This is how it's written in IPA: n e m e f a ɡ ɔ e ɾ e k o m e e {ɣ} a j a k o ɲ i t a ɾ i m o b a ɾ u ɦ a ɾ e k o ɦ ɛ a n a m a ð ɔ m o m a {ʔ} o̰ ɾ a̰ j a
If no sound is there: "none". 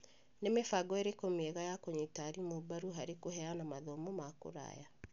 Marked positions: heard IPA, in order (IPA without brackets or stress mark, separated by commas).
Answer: ɣ, k